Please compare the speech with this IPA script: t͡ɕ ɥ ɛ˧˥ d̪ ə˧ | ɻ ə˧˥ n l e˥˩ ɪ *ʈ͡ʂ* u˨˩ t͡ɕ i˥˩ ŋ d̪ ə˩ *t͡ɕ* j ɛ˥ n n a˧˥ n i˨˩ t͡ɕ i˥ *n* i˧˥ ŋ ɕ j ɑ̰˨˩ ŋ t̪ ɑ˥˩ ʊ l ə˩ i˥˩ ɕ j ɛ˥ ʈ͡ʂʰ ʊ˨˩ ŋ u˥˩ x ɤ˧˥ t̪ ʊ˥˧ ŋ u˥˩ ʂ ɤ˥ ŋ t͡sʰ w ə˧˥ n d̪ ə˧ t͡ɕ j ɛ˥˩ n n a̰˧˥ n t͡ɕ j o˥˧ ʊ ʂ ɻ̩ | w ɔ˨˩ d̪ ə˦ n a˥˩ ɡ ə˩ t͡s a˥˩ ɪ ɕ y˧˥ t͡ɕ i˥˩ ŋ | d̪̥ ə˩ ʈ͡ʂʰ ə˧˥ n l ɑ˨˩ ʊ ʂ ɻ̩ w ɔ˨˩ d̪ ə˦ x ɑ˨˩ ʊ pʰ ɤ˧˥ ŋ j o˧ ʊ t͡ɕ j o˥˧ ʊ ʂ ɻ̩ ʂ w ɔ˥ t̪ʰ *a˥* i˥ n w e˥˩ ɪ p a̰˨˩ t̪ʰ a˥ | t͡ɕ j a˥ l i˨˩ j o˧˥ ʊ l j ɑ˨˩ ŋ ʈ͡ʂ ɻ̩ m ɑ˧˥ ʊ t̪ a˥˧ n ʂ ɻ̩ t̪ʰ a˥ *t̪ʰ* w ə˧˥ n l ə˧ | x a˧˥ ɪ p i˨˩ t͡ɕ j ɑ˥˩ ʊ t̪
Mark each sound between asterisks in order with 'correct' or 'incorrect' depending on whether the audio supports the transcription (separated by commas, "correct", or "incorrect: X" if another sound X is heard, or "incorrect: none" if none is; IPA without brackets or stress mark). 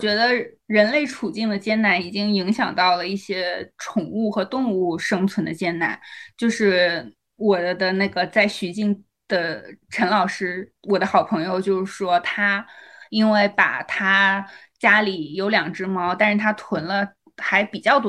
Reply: incorrect: ʈ͡ʂʰ, correct, incorrect: ŋ, correct, correct